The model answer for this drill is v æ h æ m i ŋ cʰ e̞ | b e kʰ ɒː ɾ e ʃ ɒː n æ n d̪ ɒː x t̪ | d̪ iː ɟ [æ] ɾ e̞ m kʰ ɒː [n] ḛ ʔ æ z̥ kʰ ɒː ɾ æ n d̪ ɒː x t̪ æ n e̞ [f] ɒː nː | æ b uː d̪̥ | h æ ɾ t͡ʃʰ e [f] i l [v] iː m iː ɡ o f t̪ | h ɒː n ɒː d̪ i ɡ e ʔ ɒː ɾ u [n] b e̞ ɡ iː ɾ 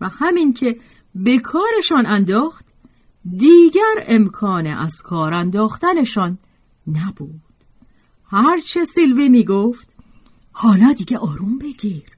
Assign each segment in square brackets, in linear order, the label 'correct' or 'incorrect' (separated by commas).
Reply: correct, correct, incorrect, incorrect, correct, incorrect